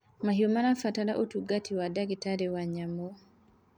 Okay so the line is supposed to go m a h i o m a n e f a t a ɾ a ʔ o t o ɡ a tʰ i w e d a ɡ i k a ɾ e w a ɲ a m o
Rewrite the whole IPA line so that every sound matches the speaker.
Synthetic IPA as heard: m a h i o m a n a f a t a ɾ a ʔ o t u ɡ a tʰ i w a d a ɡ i t a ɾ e w a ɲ a m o

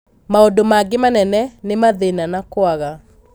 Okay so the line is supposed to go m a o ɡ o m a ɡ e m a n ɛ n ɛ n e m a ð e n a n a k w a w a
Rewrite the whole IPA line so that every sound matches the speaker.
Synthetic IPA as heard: m a o d o m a ɡ e m a n ɛ n ɛ n e m a ð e n a n a k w a ɣ a

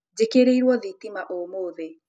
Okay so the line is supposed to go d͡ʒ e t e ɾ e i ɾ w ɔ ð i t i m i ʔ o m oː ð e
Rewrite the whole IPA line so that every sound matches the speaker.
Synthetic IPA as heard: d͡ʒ e k e ɾ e i ɾ w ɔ ð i t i m a ʔ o m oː ð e

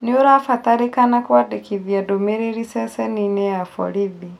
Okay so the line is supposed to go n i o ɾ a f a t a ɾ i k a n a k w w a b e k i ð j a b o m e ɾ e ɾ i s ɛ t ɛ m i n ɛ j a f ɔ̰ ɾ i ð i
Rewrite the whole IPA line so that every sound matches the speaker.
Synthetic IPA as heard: n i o ɾ a f a t a ɾ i k a n a k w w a d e k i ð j a d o m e ɾ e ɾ i s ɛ s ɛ n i n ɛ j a f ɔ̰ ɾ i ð i

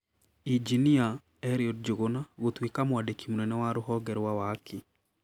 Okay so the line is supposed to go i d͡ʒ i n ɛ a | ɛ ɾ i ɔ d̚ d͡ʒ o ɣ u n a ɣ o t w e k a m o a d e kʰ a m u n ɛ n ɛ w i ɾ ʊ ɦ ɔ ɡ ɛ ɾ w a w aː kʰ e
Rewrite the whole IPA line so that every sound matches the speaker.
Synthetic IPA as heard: i d͡ʒ i n i a | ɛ ɾ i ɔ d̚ d͡ʒ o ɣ o n a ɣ o t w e k a m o a d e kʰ i m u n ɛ n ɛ w a ɾ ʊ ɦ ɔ ɡ ɛ ɾ w a w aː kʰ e

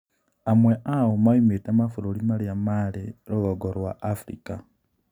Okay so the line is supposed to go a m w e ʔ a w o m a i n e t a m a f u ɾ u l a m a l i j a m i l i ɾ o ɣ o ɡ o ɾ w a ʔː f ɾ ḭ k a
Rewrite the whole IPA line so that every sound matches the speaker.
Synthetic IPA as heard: a m w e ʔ a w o m a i m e t a m a f u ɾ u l i m a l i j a m a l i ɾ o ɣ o ɡ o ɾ w a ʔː f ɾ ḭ k a

